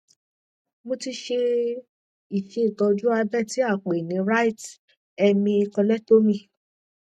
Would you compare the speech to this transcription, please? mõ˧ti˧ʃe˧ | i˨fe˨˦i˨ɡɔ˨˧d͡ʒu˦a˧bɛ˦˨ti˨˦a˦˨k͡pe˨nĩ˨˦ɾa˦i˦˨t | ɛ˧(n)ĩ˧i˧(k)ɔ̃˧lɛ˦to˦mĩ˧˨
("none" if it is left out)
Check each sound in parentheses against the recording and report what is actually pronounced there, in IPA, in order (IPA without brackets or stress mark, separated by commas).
m, k